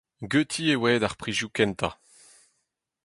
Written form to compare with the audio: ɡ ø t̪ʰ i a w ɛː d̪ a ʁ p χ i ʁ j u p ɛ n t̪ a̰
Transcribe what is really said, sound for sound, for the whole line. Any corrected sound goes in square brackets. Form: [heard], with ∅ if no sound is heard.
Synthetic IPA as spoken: ɡ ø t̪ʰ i [e] w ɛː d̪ a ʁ p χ i [ʒ] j u [k] ɛ n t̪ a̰